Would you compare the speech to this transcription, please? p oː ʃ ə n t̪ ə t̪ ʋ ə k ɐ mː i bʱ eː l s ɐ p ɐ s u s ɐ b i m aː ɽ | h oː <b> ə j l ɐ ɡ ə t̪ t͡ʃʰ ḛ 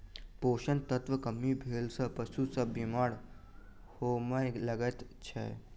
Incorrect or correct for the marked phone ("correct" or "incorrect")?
incorrect